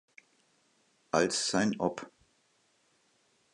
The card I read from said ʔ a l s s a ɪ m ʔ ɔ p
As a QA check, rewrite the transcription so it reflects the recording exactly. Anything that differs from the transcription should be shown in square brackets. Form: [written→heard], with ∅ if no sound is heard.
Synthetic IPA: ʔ a l s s a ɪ [m→n] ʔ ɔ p